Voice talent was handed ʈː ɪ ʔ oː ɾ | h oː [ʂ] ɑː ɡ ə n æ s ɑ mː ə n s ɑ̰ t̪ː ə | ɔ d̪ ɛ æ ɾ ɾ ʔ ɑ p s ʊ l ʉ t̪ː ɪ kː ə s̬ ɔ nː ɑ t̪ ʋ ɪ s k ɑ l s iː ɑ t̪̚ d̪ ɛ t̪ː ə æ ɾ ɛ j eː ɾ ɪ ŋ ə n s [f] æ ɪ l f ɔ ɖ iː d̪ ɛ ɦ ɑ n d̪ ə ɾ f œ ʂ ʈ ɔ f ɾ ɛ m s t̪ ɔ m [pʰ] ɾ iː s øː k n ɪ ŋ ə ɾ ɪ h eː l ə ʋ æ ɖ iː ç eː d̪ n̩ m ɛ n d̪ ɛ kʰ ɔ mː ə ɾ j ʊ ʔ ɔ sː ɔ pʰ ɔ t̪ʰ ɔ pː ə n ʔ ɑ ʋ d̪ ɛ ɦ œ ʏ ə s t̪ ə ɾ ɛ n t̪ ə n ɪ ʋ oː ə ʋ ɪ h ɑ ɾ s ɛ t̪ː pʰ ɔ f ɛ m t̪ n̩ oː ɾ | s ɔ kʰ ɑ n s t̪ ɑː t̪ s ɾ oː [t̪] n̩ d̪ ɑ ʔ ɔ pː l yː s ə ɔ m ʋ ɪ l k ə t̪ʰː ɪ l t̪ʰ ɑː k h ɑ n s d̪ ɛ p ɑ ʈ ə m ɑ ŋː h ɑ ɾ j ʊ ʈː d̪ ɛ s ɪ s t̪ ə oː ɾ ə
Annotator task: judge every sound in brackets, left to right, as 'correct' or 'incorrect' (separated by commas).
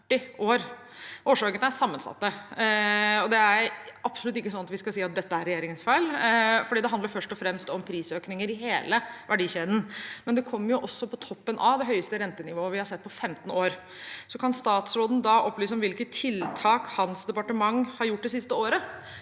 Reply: correct, correct, correct, incorrect